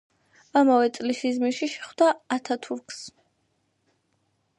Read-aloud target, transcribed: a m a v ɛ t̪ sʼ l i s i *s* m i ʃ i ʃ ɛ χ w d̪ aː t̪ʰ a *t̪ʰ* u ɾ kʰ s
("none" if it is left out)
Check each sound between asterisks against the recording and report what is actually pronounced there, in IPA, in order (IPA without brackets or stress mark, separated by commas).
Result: z, t̪ʰ